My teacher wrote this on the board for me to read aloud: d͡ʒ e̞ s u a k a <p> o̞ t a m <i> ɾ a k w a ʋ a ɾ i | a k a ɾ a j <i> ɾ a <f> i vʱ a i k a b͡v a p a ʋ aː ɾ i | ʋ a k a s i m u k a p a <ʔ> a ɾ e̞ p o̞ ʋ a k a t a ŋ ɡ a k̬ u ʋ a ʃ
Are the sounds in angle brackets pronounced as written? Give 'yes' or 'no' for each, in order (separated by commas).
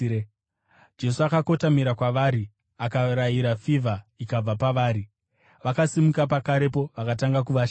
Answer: no, yes, yes, yes, no